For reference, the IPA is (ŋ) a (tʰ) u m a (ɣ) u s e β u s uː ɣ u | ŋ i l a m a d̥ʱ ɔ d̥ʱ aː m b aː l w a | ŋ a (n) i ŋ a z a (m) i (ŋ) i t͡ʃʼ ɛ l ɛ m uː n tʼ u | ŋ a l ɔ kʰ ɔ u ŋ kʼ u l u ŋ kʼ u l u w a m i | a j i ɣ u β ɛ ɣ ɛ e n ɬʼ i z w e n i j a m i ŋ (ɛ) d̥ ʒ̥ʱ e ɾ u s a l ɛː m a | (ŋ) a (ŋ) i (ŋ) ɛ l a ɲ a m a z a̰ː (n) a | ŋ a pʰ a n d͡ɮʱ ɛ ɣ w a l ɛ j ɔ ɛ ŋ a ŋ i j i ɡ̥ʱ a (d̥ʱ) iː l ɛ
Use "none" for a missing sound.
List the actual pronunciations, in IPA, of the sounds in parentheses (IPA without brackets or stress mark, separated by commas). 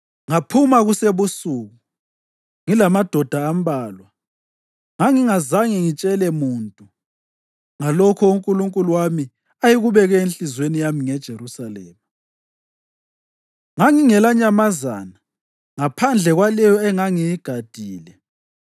ŋ, pʰ, ɣ, ŋ, ŋ, ŋ, ɛ, ŋ, ŋ, ŋ, n, d̥ʱ